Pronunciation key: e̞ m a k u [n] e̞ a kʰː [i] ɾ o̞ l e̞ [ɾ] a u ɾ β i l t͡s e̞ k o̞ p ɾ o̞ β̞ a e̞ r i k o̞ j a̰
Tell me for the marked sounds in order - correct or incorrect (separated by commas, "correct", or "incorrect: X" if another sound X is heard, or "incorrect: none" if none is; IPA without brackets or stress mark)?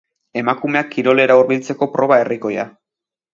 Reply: incorrect: m, correct, correct